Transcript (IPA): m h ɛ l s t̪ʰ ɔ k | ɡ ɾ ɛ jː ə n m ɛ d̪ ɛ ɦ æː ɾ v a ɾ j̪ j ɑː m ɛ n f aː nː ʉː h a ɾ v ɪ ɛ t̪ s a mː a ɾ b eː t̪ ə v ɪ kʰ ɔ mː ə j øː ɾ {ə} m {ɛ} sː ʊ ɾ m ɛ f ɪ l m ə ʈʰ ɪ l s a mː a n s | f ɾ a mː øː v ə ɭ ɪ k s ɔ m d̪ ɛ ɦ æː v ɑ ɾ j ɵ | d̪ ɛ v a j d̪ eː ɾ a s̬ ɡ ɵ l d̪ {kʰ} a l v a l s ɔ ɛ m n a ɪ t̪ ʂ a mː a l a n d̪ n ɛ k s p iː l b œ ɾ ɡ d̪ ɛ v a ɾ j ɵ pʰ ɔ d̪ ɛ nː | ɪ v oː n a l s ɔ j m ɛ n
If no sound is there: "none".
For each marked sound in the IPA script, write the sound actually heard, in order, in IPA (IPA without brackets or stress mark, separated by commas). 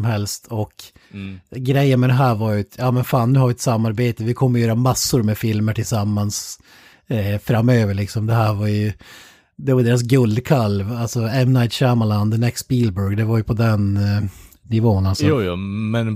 a, a, kʰ